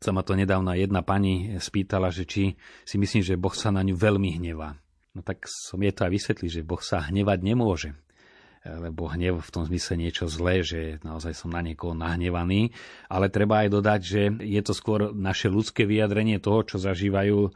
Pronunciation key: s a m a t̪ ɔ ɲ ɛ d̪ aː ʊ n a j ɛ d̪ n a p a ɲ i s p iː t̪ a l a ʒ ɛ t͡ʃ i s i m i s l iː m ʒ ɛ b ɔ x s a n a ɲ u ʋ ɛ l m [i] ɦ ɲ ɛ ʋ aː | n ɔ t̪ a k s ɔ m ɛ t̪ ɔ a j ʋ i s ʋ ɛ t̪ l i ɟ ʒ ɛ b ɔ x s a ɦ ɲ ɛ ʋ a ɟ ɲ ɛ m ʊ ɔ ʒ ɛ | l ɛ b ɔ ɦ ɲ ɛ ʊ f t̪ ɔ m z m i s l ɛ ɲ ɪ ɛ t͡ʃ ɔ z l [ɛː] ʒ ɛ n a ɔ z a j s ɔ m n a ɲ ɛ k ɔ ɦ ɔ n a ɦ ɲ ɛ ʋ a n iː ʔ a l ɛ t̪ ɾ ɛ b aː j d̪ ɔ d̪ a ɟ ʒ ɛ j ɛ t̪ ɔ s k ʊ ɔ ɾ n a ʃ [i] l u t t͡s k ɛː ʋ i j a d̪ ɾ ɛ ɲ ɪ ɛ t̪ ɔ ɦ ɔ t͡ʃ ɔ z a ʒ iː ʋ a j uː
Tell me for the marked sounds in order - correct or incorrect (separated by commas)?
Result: correct, correct, incorrect